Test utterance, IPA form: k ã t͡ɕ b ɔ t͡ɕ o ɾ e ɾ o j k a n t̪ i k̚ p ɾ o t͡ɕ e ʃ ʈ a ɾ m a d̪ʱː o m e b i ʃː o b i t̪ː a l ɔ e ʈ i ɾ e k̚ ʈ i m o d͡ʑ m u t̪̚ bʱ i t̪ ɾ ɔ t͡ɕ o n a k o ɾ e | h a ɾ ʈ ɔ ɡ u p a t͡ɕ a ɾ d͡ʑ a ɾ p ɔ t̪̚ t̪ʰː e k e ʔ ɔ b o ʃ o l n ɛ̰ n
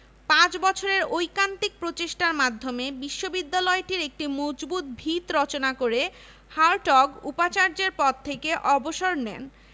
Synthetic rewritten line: p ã t͡ɕ b ɔ t͡ɕʰ o ɾ e ɾ o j k a n t̪ i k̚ p ɾ o t͡ɕ e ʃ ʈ a ɾ m a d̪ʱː o m e b i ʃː o b i d̪ː a l ɔ e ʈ i ɾ e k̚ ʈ i m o d͡ʑ b u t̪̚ bʱ i t̪ ɾ ɔ t͡ɕ o n a k o ɾ e | h a ɾ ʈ ɔ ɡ u p a t͡ɕ a ɾ d͡ʑ e ɾ p ɔ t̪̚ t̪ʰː e k e ʔ ɔ b o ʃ o ɾ n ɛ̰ n